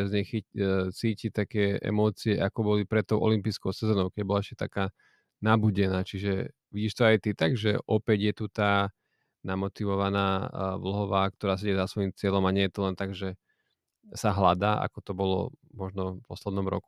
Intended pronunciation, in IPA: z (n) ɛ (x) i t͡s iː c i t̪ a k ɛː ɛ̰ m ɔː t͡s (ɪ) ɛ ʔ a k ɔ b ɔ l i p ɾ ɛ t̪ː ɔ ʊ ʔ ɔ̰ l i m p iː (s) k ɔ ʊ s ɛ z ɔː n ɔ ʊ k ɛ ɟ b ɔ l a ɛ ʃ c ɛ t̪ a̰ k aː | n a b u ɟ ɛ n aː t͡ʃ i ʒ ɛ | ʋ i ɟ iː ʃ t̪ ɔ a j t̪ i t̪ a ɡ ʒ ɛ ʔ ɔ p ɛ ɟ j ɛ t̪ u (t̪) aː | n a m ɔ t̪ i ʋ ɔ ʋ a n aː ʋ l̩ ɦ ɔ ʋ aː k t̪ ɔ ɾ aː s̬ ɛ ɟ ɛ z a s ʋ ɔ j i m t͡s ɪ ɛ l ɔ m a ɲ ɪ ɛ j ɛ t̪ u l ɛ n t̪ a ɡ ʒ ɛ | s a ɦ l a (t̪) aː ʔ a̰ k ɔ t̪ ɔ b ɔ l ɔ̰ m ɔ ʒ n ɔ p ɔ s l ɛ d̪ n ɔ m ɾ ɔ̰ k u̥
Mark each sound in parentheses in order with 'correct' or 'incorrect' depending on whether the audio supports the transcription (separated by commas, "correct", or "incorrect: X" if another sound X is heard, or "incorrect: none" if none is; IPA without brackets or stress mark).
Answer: incorrect: ɲ, correct, incorrect: i, correct, correct, incorrect: d̪